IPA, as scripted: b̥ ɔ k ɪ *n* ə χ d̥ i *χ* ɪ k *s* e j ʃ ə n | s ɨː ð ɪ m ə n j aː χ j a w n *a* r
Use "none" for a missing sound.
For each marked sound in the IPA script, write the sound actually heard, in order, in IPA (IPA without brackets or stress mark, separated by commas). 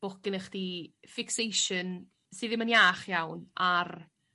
n, f, s, a